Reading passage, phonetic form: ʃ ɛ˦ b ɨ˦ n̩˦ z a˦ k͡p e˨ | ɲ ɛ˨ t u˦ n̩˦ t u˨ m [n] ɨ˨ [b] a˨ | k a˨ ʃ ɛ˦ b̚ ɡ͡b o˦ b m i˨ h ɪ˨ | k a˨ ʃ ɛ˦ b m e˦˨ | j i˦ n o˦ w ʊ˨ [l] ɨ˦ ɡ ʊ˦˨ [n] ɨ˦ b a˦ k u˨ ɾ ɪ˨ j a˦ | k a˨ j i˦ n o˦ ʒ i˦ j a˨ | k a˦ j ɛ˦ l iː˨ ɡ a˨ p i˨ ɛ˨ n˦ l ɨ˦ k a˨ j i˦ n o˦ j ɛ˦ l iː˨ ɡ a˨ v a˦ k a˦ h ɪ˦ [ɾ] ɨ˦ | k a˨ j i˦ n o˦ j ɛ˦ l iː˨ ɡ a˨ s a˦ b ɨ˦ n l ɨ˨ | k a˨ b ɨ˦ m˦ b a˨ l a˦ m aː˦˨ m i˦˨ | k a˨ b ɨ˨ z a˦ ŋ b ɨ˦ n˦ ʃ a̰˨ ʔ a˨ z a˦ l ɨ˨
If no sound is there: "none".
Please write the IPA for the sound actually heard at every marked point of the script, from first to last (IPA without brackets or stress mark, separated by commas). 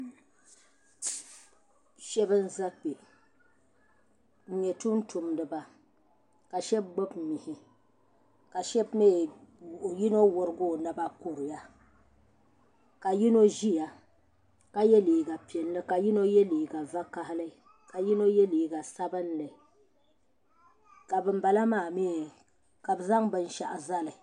d, b, ɾ, n, l